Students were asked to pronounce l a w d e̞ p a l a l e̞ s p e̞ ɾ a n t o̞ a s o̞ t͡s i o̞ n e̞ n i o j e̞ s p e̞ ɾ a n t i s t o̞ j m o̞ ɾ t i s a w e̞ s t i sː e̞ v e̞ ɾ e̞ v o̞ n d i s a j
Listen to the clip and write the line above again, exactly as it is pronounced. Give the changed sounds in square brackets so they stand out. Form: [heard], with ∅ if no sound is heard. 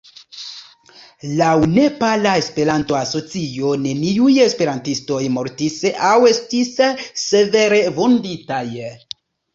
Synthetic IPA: l a w [n] e̞ p a l a [∅] e̞ s p e̞ ɾ a n t o̞ a s o̞ t͡s i o̞ n e̞ n i [u] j e̞ s p e̞ ɾ a n t i s t o̞ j m o̞ ɾ t i s a w e̞ s t i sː e̞ v e̞ ɾ e̞ v o̞ n d i [t] a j